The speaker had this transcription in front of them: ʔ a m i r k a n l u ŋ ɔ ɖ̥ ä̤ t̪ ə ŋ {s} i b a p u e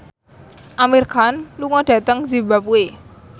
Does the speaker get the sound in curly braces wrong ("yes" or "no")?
yes